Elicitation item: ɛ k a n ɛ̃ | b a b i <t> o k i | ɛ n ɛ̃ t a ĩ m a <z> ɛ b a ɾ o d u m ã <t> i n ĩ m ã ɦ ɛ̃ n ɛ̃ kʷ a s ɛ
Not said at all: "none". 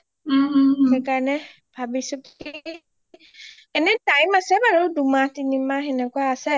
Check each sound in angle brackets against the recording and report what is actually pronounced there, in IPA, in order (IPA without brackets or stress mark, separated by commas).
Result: s, s, t